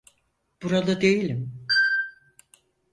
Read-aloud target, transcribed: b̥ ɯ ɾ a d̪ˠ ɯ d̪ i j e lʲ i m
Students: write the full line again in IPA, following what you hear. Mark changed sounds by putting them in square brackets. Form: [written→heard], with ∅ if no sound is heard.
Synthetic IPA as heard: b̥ [ɯ→u] ɾ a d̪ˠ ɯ d̪ [i→e] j [e→i] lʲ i m

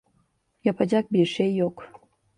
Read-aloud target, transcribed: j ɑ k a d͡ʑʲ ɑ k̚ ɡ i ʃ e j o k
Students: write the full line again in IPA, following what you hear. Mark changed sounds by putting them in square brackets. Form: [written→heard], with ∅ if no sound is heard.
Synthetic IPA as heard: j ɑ [k→p] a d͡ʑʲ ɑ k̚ [ɡ→b] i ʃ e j o k

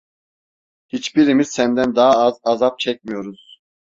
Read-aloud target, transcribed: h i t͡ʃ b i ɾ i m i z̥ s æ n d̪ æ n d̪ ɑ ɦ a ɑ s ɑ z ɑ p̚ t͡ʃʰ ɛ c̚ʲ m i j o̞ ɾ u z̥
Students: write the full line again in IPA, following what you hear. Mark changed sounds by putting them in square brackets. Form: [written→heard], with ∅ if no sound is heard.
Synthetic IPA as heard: h i t͡ʃ b i ɾ i m i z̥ s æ n d̪ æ n d̪ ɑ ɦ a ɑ [s→z] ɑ z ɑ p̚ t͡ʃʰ ɛ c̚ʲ m i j o̞ ɾ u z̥

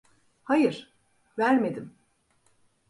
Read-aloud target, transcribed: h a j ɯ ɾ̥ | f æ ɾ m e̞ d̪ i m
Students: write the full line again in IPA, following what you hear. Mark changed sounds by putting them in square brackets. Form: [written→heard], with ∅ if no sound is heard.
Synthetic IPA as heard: h a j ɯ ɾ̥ | [f→v] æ ɾ m e̞ d̪ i m

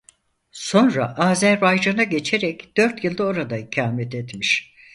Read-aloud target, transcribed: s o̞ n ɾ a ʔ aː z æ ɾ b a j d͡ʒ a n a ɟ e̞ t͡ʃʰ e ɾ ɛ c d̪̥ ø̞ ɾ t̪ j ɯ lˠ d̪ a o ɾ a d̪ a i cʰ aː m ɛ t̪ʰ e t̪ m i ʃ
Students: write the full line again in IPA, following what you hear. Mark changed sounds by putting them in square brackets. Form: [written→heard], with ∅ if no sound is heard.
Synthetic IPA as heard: s o̞ n ɾ a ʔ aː z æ ɾ b a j d͡ʒ a n a ɟ e̞ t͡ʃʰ e ɾ ɛ c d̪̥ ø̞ ɾ t̪ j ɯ lˠ d̪ a o ɾ a d̪ a i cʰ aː m ɛ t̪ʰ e t̪ m i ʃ

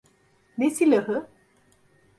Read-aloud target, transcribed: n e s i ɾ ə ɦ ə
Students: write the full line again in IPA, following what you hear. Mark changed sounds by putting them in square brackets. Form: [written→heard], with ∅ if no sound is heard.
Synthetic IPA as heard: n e s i [ɾ→l] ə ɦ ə

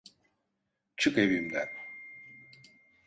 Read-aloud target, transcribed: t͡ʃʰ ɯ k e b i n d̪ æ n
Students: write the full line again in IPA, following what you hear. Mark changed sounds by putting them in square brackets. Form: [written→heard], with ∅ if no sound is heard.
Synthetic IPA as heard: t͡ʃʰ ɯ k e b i [n→m] d̪ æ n

